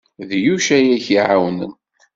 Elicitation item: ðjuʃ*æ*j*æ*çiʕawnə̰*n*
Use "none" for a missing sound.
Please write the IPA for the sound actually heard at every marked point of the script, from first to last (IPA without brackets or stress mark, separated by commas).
æ, æ, n